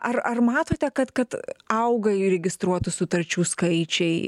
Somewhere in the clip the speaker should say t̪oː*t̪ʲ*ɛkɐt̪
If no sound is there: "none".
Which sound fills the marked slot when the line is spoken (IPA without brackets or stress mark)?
t̪ʲ